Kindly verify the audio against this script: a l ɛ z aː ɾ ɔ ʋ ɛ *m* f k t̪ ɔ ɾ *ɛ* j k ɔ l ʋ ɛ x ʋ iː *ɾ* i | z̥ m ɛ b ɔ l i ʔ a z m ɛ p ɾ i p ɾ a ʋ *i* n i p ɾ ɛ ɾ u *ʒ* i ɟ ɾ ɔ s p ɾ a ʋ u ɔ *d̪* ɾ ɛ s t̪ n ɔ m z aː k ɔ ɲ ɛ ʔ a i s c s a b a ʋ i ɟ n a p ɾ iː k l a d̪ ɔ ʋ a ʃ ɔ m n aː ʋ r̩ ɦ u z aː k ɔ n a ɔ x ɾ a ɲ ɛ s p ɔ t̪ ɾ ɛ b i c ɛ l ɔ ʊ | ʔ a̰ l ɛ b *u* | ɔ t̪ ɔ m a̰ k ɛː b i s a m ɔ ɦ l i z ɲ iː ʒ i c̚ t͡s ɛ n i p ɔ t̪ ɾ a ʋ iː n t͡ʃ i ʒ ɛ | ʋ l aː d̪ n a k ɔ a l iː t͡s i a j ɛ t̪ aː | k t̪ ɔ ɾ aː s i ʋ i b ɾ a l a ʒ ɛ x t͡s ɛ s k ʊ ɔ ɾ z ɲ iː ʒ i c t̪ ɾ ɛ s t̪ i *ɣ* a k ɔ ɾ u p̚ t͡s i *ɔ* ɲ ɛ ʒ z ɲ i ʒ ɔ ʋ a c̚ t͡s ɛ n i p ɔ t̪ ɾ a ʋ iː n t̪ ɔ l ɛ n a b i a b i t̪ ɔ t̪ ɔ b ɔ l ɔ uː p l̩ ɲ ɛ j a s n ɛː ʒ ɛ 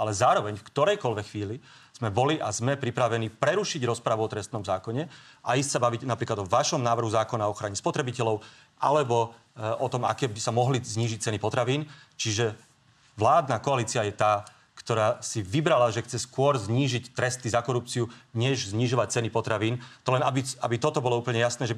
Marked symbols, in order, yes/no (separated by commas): no, yes, no, no, no, no, no, no, no